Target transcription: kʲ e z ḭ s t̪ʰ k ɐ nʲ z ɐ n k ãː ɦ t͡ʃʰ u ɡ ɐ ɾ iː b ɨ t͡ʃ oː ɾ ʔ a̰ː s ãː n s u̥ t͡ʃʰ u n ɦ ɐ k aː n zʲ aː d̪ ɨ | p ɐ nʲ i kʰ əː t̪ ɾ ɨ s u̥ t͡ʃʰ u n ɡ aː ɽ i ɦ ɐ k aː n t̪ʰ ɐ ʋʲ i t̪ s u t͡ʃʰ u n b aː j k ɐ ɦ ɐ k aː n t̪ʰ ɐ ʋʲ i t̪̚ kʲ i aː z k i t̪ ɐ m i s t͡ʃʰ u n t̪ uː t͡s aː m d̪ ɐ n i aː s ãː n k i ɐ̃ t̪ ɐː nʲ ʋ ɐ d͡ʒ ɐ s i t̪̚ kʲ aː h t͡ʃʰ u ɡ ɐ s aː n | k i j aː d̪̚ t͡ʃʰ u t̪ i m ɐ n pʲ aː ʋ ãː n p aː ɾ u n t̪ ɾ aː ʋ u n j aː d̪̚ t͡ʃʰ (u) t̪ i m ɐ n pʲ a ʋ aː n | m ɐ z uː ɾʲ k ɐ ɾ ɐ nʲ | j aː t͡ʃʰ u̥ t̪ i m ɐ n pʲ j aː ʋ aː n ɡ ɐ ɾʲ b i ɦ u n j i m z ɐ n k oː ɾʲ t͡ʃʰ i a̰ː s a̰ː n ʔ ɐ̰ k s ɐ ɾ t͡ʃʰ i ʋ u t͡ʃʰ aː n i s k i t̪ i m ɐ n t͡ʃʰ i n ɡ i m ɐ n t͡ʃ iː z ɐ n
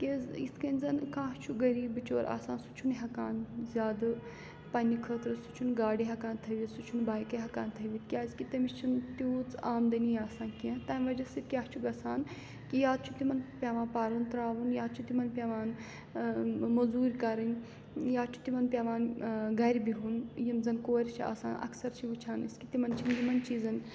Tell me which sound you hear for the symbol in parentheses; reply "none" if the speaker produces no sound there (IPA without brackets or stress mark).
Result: u